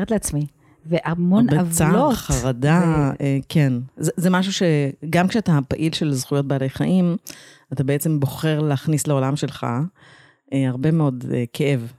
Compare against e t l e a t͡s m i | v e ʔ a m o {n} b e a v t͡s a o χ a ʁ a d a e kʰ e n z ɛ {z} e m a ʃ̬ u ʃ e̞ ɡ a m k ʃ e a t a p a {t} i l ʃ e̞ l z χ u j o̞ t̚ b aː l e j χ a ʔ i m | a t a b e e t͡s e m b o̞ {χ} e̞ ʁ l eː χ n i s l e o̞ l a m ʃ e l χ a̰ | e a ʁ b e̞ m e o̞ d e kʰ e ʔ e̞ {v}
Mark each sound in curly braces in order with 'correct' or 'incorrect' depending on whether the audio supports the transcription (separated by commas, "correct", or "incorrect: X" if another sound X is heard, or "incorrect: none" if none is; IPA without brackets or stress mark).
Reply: correct, correct, incorrect: ʔ, correct, correct